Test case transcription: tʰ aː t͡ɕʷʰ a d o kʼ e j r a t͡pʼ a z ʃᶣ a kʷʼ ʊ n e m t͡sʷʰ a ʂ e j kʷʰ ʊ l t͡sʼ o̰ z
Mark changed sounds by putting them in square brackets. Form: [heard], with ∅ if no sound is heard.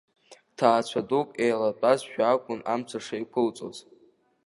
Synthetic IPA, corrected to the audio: tʰ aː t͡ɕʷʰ a d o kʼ e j [l] a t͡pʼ a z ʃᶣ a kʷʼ ʊ n [a] m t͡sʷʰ a ʂ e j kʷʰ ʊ l t͡sʼ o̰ z